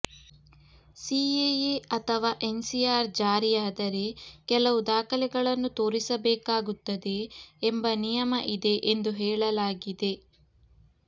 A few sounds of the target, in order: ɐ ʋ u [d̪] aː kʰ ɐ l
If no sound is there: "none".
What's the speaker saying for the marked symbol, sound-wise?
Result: d̪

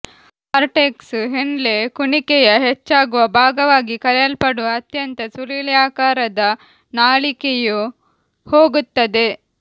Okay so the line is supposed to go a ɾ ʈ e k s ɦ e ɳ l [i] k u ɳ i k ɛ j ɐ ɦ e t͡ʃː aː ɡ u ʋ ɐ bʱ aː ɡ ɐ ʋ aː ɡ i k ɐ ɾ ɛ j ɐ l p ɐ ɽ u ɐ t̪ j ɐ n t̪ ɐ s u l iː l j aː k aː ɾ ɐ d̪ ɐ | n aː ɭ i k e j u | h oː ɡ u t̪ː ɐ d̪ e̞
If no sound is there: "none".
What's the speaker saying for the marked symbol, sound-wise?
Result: e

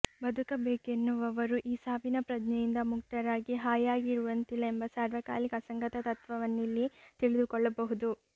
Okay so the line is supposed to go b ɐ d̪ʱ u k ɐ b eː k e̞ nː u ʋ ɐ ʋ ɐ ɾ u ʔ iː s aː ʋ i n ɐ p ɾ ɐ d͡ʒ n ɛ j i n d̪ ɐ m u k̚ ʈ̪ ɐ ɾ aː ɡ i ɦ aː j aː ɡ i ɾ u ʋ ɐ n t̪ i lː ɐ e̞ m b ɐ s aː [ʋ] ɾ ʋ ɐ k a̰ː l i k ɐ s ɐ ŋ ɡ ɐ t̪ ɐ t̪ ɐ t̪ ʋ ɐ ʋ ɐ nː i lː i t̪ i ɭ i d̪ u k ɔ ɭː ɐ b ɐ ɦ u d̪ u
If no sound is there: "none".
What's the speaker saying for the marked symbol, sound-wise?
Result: none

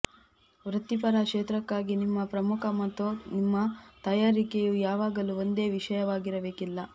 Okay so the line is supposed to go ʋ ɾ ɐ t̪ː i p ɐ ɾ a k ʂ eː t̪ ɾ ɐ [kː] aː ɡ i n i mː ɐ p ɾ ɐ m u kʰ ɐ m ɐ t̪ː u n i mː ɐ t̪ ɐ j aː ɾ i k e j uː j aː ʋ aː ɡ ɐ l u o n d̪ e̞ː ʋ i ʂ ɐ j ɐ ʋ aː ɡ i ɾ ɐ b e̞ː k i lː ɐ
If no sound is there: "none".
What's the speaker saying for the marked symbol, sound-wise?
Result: kː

